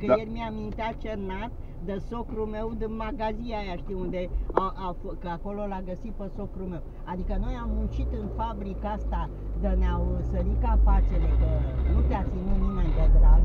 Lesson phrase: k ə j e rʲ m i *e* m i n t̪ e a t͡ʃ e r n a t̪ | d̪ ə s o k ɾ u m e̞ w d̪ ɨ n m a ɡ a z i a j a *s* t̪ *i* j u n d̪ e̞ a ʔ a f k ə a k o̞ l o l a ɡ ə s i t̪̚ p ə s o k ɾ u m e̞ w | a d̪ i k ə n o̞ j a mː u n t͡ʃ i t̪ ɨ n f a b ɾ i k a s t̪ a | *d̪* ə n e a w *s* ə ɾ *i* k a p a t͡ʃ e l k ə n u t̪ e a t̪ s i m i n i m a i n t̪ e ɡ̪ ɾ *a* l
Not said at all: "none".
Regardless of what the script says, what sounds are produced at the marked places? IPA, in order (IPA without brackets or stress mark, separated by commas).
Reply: a, ʃ, i, d̪, s, i, a